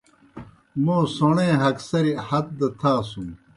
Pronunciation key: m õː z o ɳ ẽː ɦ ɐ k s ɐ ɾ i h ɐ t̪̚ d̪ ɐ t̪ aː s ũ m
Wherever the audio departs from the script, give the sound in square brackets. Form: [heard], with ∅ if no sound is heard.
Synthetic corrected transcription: m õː [s] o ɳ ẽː ɦ ɐ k s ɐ ɾ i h ɐ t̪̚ d̪ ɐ [t̪ʰ] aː s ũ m